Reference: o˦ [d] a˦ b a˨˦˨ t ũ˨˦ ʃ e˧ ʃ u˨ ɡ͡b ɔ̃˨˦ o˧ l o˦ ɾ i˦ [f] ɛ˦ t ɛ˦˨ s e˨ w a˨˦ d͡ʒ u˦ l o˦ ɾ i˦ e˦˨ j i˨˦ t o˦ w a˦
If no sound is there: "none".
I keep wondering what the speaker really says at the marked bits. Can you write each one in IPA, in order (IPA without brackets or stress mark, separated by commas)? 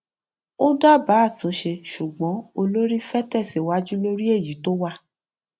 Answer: d, f